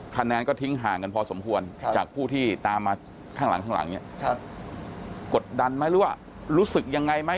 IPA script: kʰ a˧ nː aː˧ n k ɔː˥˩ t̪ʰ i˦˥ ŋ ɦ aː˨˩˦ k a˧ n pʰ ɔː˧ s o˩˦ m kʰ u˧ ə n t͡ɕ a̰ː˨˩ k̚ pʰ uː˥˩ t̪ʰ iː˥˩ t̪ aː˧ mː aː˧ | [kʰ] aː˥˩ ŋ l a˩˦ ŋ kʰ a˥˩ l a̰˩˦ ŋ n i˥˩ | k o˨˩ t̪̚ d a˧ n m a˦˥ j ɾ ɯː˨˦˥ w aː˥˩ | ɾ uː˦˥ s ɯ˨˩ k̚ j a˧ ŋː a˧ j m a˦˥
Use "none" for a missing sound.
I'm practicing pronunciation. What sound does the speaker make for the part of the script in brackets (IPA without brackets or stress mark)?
kʰ